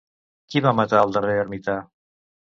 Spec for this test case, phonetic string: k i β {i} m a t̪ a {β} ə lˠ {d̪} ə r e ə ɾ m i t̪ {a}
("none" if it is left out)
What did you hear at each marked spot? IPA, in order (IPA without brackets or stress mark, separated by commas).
a, none, d̪, a